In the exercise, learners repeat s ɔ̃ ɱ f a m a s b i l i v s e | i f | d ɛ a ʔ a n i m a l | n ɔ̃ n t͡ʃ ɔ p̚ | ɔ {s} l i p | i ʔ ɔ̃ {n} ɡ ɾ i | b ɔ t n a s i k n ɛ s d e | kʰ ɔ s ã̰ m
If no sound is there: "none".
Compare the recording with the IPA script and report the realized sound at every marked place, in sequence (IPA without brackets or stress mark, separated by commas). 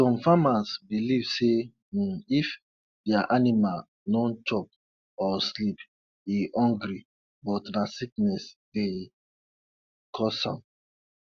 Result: s, ŋ